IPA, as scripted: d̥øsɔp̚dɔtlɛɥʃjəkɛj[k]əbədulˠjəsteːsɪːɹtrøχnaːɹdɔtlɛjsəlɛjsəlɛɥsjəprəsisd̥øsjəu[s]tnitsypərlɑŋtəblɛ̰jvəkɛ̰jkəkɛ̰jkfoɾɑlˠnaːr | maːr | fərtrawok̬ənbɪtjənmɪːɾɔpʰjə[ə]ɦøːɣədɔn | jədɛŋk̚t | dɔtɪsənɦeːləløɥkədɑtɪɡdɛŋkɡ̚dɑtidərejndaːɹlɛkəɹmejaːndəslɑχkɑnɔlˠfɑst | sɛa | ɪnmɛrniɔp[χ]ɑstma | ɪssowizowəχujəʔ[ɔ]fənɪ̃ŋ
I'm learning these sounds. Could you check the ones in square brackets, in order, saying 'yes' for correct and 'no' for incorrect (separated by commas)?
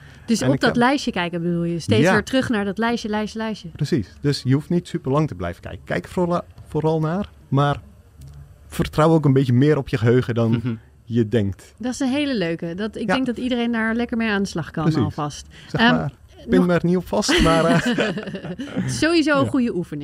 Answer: yes, no, yes, no, no